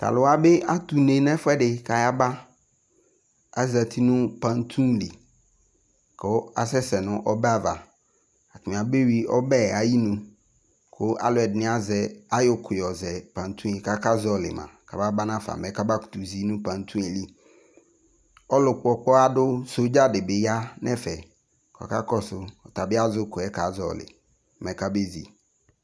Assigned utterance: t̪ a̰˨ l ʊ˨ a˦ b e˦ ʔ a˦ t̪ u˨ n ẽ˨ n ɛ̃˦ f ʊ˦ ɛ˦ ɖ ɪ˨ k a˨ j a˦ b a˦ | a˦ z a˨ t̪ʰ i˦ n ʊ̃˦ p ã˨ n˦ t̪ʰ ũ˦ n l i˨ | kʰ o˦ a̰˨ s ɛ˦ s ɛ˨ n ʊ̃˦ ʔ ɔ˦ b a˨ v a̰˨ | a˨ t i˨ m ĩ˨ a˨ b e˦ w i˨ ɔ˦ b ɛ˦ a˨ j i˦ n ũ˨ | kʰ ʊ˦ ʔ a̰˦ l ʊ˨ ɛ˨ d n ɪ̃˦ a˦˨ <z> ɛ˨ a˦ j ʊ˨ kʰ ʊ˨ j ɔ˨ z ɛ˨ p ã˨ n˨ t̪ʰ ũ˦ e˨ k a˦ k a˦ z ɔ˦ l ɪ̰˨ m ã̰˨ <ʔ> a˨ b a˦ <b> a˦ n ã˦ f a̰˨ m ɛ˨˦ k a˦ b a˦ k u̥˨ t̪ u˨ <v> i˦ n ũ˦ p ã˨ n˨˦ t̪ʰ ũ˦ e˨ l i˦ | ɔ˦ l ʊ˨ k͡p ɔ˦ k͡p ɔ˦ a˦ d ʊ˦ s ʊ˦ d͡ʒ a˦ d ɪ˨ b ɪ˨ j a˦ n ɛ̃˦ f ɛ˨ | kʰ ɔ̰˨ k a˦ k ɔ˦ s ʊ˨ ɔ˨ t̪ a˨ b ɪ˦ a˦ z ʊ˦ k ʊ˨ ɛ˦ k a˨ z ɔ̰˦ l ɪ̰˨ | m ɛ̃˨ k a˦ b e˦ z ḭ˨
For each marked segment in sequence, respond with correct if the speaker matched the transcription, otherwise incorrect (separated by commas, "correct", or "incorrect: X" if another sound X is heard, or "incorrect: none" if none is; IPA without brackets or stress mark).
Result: correct, incorrect: k, correct, incorrect: z